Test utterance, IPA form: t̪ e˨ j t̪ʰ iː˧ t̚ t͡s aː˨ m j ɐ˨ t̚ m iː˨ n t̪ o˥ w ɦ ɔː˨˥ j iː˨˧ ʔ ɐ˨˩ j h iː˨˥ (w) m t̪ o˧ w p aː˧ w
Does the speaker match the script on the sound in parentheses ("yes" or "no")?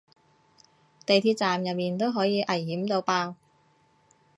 no